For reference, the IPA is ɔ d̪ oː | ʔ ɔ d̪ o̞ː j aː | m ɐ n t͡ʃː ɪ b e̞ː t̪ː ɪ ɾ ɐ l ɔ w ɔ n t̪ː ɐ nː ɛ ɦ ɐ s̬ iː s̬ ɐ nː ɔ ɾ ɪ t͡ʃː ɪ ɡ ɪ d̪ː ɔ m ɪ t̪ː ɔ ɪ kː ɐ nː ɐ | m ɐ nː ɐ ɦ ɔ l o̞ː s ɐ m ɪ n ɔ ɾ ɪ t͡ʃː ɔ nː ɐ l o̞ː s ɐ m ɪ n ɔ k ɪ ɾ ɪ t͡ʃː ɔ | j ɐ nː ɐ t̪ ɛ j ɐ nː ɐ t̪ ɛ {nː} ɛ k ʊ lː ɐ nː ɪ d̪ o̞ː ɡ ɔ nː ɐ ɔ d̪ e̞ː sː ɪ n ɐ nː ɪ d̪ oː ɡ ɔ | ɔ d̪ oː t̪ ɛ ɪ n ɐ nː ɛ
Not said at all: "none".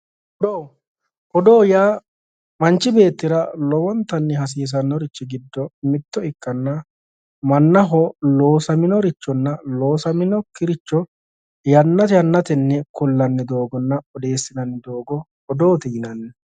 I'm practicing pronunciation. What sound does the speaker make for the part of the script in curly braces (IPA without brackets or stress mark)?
nː